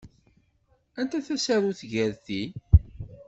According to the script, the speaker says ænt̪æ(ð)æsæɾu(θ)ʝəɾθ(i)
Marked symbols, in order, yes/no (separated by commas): no, yes, yes